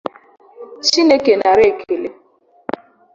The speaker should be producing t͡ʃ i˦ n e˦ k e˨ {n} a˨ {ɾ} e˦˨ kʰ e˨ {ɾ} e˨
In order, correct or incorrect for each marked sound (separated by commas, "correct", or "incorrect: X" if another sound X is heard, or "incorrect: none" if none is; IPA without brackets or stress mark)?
correct, correct, incorrect: l